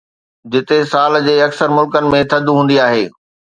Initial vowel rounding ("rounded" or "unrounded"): unrounded